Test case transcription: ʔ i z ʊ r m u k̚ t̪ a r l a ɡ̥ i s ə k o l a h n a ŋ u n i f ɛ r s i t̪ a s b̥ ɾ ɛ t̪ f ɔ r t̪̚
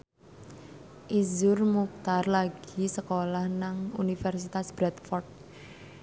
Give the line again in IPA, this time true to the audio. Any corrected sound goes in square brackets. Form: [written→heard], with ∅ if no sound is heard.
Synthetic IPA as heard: ʔ i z ʊ r m u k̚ t̪ a r l a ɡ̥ i s ə k o l a h n a ŋ u n i f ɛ r s i t̪ a s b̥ ɾ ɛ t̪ f ɔ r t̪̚